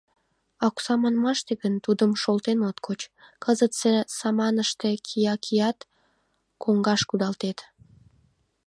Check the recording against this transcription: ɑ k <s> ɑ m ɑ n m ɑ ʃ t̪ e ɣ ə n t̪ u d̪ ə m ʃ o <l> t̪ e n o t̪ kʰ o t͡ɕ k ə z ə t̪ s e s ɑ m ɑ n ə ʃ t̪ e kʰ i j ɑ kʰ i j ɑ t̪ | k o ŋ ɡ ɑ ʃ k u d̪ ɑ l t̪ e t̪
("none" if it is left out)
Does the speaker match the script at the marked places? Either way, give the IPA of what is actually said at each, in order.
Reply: s, l

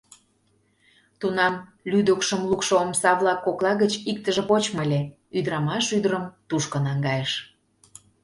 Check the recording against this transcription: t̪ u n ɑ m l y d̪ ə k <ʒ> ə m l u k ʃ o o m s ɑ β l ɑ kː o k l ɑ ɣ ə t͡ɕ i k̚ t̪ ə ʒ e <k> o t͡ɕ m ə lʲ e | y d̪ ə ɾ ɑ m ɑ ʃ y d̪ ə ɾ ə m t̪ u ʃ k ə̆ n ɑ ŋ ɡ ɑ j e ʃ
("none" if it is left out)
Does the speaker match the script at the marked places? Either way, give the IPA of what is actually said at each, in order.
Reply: ʃ, p

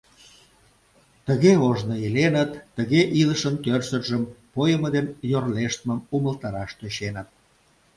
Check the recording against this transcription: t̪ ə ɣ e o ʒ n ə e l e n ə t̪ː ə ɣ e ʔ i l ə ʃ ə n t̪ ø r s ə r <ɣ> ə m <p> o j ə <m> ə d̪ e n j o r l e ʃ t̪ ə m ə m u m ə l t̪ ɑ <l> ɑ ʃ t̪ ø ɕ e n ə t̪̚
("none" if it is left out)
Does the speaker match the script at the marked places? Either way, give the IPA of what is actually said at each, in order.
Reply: ʒ, p, m, ɾ

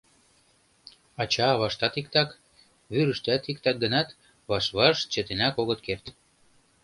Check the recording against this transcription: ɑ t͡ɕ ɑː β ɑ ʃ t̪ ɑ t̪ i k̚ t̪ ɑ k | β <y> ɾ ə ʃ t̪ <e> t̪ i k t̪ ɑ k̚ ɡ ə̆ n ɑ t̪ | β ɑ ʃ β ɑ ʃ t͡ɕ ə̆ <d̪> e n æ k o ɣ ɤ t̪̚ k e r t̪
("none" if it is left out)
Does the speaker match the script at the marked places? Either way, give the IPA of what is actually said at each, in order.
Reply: y, æ, t̪

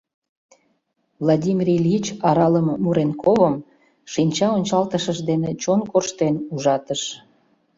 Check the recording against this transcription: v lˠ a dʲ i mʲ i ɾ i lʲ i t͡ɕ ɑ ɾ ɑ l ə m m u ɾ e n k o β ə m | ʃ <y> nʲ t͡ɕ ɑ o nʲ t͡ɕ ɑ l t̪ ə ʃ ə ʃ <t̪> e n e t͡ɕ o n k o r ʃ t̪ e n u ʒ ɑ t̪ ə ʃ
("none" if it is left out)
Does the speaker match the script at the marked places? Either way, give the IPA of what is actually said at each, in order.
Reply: i, d̪

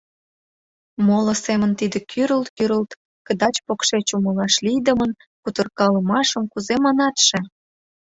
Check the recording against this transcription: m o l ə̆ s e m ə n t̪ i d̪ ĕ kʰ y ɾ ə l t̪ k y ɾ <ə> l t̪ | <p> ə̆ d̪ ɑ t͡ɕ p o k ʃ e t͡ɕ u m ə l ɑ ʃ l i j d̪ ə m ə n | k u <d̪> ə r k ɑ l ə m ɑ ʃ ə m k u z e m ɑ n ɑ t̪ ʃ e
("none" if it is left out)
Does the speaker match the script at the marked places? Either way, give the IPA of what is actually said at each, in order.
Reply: ə, k, t̪

